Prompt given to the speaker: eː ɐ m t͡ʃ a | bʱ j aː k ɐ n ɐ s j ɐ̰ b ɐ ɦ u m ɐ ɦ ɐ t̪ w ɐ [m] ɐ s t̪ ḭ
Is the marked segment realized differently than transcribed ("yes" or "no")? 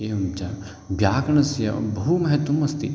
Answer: no